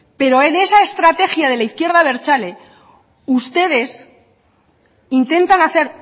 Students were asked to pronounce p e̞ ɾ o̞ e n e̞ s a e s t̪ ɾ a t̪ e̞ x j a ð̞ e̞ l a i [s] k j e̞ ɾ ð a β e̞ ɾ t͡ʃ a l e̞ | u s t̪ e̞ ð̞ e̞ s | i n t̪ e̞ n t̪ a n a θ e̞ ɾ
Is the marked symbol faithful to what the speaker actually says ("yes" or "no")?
no